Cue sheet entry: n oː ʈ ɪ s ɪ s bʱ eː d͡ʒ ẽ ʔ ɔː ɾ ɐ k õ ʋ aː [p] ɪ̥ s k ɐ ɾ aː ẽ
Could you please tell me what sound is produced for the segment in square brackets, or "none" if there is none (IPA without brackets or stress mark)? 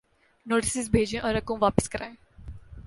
p